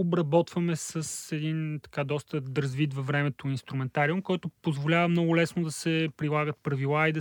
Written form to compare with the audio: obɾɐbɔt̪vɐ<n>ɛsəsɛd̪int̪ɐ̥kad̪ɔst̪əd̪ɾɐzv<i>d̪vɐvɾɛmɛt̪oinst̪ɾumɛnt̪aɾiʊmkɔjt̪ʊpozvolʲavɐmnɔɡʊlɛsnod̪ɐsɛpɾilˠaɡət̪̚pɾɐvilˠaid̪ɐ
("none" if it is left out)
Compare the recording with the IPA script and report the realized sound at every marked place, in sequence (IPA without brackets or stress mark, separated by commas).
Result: m, i